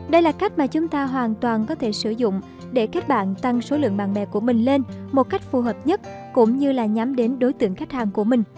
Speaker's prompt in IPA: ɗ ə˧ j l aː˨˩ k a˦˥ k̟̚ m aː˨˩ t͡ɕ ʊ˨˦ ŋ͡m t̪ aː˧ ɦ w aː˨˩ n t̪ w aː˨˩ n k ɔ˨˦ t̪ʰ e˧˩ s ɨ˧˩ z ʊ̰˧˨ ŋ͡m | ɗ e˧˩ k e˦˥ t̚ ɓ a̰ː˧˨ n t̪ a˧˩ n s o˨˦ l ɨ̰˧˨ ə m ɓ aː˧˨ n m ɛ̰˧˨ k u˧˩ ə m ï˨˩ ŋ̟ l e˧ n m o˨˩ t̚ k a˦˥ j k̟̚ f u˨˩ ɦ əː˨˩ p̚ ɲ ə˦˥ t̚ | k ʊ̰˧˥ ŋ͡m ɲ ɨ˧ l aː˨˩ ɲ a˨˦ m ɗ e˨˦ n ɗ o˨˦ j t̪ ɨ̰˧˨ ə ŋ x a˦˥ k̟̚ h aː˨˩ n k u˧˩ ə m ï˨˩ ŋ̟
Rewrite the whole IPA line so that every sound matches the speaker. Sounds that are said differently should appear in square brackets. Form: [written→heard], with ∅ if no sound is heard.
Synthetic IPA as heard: ɗ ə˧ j l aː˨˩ k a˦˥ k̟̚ m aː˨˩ t͡ɕ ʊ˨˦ ŋ͡m t̪ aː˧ ɦ w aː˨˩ n t̪ w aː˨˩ n k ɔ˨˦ t̪ʰ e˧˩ s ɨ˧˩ z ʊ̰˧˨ ŋ͡m | ɗ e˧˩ k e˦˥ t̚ ɓ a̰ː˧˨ n t̪ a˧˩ [n→ŋ] s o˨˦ l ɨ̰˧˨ ə [m→ŋ] ɓ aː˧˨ n m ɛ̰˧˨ k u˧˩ ə m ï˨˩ ŋ̟ l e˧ n m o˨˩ t̚ k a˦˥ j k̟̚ f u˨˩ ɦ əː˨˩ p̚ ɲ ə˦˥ t̚ | k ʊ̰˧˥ ŋ͡m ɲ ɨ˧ l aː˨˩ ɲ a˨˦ m ɗ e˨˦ n ɗ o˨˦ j t̪ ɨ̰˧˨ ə ŋ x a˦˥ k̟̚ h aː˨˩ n k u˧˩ ə m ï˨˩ ŋ̟